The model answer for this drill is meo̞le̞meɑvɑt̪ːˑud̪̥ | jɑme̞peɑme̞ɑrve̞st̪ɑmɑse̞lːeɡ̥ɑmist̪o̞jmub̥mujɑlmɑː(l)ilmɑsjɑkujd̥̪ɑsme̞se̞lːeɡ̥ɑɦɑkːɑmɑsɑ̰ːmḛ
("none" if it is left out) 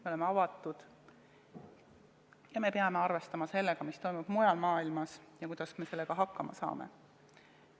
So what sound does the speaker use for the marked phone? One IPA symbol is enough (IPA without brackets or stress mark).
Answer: none